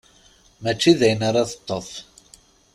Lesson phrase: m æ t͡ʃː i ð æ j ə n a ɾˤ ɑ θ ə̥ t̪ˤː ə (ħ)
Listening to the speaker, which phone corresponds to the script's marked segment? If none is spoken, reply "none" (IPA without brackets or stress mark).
θ